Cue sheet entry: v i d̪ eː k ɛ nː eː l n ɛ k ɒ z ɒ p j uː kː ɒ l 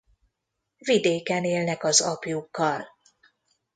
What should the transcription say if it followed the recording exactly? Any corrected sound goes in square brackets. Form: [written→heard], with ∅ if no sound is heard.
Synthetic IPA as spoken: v i d̪ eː k ɛ [nː→n] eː l n ɛ k ɒ z ɒ p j [uː→u] kː ɒ l